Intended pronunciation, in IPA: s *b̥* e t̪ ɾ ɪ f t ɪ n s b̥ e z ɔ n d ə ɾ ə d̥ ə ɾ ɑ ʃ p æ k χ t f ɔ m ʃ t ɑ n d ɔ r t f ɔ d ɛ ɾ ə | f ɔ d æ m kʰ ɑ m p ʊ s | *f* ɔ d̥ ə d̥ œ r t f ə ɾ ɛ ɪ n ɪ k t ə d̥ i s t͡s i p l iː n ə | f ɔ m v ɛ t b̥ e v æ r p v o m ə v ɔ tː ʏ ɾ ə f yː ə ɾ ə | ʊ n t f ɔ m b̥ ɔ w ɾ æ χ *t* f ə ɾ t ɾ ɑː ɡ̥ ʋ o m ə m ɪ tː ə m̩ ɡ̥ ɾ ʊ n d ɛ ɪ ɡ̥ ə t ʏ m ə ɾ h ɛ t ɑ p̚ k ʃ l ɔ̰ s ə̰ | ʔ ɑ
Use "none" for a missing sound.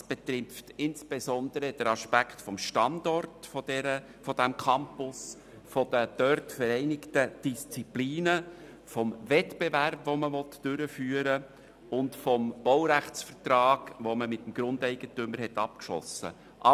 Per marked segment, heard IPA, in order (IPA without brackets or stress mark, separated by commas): b̥, f, t͡s